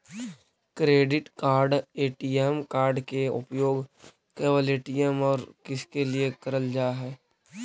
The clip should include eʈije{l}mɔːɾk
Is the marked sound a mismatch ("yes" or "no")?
yes